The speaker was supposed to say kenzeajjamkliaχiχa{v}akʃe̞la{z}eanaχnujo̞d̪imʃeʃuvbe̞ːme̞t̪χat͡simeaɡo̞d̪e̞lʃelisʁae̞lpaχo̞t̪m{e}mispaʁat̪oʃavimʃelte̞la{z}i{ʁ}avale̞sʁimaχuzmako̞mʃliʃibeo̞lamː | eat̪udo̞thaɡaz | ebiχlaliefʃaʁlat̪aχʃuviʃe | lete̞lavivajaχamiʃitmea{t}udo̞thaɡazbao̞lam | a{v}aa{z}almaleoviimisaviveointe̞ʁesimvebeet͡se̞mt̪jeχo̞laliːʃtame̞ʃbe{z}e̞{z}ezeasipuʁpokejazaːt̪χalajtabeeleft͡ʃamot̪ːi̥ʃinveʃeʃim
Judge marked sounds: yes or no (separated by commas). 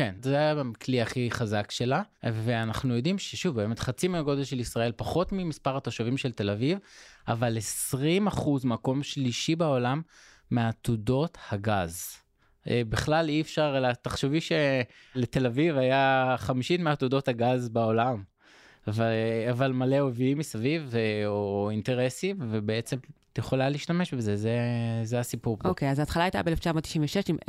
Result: no, no, no, no, no, yes, yes, no, yes, yes